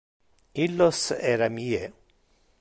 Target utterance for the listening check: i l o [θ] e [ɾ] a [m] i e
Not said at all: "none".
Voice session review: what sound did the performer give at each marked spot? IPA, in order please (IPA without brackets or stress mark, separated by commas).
s, ɾ, m